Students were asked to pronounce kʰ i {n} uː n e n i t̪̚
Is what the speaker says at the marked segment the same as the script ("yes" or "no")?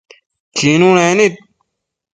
yes